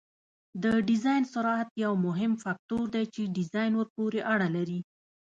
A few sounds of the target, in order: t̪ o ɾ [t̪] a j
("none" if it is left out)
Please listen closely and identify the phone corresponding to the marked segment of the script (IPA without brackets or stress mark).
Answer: d̪